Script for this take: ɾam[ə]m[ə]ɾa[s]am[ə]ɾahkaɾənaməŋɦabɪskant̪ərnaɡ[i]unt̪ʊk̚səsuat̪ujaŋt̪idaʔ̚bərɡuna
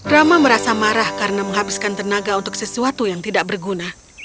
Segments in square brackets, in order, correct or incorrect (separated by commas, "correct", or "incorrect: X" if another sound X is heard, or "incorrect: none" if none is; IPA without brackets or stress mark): incorrect: a, correct, correct, incorrect: a, incorrect: a